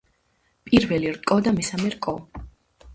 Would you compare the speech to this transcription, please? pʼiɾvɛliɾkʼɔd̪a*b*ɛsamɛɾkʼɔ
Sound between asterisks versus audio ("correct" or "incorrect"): incorrect